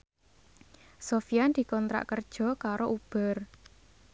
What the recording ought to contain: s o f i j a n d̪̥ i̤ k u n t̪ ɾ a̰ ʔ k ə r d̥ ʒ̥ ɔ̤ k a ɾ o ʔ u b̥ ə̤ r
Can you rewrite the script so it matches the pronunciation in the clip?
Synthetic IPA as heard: s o f i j a n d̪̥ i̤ k ɔ n t̪ ɾ a̰ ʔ k ə r d̥ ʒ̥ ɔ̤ k a ɾ o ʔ u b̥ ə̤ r